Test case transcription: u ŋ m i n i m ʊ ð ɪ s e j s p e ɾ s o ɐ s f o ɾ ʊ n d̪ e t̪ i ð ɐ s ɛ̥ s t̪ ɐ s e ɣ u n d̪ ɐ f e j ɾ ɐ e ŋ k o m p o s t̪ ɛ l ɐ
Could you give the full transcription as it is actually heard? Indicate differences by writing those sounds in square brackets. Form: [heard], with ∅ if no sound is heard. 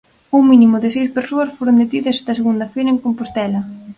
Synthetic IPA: u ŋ m i n i m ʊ ð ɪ s e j s p e ɾ s o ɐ s f o ɾ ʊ n d̪ e t̪ i ð ɐ s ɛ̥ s t̪ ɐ s e ɣ u n d̪ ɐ f e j ɾ ɐ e ŋ k o m p o s t̪ ɛ l ɐ